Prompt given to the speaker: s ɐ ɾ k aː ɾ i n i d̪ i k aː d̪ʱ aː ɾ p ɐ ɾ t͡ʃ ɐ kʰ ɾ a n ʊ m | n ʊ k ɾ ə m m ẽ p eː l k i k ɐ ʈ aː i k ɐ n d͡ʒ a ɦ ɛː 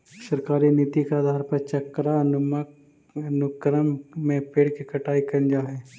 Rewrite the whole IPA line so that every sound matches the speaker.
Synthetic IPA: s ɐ ɾ k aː ɾ i n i t̪ i k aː d̪ʱ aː ɾ p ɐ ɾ t͡ʃ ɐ k ɾ a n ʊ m | n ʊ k ɾ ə m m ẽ p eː ɽ k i k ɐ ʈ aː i k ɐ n d͡ʒ a ɦ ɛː